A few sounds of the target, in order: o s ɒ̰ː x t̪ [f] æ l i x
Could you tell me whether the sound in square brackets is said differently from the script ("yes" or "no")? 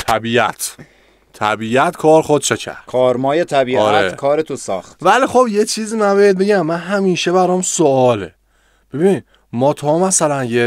yes